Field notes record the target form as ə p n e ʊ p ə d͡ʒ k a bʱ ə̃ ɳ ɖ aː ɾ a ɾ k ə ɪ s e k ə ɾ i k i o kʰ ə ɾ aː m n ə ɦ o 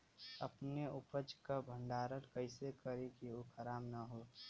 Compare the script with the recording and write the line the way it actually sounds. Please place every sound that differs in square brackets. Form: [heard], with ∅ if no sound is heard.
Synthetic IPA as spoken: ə p n e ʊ p ə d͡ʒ k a bʱ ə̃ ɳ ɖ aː ɾ [ə] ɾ k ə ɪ s e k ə ɾ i k i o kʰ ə ɾ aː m n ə ɦ o